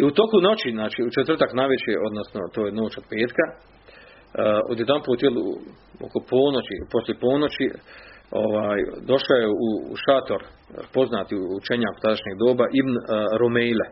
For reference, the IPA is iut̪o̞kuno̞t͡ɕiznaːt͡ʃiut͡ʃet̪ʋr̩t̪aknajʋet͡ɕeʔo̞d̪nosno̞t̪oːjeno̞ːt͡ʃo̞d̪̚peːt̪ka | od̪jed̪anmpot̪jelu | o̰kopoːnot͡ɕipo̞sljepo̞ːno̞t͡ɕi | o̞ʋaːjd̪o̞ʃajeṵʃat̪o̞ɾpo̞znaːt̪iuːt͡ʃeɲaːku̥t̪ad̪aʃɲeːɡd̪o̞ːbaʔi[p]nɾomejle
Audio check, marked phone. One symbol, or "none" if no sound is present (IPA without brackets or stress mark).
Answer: b